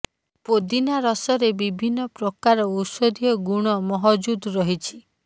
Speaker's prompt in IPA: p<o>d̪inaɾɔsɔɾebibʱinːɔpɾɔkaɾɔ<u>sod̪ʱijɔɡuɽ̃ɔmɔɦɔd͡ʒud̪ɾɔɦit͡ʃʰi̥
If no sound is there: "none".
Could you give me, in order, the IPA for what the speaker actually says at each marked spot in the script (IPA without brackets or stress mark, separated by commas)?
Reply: o, u